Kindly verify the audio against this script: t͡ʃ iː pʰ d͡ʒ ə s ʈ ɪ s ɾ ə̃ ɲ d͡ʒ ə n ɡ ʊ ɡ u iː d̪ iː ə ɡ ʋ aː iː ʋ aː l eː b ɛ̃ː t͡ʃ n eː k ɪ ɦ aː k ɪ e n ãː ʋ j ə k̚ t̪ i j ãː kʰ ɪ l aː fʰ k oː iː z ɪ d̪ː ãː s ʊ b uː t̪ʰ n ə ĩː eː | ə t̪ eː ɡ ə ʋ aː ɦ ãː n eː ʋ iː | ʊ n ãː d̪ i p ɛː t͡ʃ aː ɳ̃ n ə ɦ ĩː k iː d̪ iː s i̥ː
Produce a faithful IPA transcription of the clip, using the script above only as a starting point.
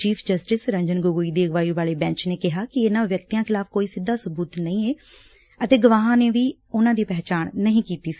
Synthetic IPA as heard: t͡ʃ iː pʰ d͡ʒ ə s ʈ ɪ s ɾ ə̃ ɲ d͡ʒ ə n ɡ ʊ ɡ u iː d̪ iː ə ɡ ʋ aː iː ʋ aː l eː b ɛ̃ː t͡ʃ n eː k ɪ ɦ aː k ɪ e n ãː ʋ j ə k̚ t̪ i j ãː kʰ ɪ l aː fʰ k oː iː s ɪ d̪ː aː s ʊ b uː t̪ n ə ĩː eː | ə t̪ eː ɡ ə ʋ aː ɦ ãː n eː ʋ iː | ʊ n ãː d̪ iː p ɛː t͡ʃ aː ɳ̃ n ə ɦ ĩː k iː t̪ iː s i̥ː